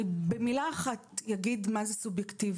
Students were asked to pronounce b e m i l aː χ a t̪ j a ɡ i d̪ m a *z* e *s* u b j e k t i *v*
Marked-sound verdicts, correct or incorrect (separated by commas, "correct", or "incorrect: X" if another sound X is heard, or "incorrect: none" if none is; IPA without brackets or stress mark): correct, correct, correct